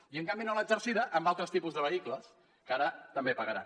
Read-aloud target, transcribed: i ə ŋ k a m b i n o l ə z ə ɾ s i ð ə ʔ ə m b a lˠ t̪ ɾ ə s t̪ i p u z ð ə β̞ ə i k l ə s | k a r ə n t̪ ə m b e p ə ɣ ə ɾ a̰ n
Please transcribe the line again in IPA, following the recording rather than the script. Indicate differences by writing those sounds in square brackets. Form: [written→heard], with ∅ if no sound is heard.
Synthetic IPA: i ə ŋ k a m b i n o l ə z ə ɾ s i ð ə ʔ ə m b a lˠ t̪ ɾ ə s t̪ i p u z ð ə β̞ ə i k l ə s | k a [r→ɾ] ə [n→∅] t̪ ə m b e p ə ɣ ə ɾ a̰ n